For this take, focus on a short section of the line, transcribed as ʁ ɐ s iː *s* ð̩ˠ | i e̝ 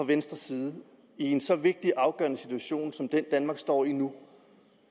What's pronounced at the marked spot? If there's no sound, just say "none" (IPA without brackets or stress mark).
none